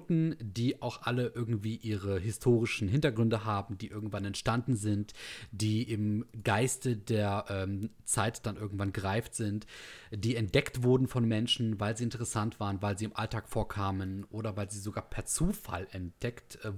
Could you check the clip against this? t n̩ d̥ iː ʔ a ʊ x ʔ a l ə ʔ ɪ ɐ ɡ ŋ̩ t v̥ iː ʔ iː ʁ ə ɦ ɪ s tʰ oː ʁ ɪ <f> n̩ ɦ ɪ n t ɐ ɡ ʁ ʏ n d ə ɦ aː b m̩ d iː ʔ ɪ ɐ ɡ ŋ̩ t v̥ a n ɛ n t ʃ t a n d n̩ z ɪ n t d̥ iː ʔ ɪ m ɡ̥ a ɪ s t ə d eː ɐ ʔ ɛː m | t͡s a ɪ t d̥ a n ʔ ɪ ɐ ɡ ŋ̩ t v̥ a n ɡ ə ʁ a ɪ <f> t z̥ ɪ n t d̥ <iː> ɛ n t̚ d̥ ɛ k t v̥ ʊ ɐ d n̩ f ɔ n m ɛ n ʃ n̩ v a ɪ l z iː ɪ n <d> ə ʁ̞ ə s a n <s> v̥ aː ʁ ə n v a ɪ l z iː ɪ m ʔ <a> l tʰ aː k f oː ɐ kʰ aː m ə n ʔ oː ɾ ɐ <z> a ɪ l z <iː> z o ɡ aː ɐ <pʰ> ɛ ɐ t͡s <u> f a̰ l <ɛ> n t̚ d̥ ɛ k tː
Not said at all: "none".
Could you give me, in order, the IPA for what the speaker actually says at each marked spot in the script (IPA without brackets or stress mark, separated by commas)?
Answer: ʃ, f, iː, t, t, a, v, iː, pʰ, uː, ɛ